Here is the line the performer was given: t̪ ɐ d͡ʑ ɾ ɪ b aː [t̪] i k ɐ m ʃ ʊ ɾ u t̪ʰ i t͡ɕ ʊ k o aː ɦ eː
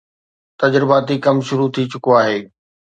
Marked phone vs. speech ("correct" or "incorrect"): correct